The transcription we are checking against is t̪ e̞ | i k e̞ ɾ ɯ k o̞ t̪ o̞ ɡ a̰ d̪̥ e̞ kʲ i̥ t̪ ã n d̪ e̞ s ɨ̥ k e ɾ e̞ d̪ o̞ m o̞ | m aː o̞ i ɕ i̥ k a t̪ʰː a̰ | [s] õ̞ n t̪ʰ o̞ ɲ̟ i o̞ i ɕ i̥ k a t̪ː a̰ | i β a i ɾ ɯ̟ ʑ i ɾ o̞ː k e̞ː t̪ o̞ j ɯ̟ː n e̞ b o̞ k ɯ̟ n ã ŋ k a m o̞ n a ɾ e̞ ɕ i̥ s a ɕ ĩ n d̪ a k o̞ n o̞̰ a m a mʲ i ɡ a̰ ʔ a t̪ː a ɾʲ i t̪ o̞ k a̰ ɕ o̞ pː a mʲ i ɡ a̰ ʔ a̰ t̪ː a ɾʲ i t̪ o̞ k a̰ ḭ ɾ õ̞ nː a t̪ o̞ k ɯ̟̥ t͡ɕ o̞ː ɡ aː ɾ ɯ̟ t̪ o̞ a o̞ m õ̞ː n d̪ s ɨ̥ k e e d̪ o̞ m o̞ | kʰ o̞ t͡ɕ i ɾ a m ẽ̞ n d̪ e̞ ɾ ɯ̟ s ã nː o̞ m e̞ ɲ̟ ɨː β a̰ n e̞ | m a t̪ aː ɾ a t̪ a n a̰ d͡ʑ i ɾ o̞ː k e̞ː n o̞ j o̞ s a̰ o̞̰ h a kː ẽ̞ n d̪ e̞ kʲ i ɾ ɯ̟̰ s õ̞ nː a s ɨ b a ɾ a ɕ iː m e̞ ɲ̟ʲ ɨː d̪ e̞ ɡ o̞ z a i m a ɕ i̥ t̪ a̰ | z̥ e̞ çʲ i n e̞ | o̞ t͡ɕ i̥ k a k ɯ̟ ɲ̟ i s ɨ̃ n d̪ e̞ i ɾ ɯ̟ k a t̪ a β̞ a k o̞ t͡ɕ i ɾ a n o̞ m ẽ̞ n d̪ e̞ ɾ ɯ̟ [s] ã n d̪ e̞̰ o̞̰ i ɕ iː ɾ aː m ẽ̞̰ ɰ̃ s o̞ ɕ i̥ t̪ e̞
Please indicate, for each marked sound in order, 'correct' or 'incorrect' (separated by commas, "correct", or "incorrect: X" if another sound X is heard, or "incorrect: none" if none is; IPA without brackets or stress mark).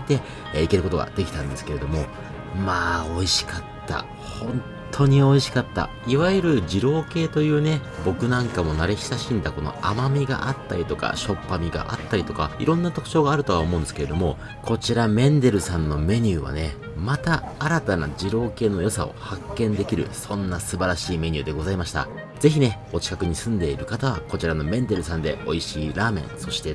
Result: incorrect: h, correct